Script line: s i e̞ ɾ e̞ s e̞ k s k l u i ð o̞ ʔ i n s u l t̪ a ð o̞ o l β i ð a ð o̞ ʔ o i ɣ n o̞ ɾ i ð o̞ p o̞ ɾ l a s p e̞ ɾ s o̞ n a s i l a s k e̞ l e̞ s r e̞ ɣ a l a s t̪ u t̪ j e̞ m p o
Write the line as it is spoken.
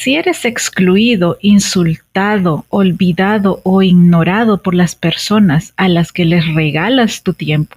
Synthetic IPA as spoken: s i e̞ ɾ e̞ s e̞ k s k l u i ð o̞ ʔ i n s u l t̪ a ð o̞ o l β i ð a ð o̞ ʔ o i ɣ n o̞ ɾ a ð o̞ p o̞ ɾ l a s p e̞ ɾ s o̞ n a s a l a s k e̞ l e̞ s r e̞ ɣ a l a s t̪ u t̪ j e̞ m p o